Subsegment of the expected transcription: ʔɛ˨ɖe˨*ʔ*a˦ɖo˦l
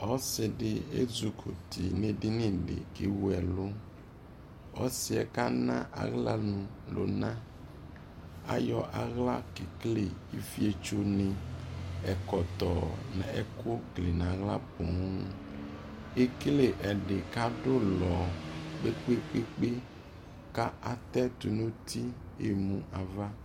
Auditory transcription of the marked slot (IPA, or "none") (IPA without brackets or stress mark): k